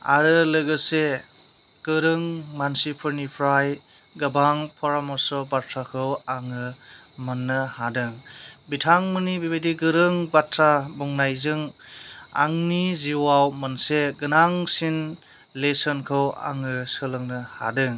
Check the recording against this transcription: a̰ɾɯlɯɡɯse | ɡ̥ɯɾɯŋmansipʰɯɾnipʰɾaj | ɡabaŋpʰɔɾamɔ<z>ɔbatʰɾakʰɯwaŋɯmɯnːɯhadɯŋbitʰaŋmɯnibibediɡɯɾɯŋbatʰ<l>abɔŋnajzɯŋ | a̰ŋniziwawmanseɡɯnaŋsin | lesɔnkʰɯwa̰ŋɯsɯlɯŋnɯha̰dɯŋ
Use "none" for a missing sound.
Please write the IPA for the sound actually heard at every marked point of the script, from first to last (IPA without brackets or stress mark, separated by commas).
s, ɾ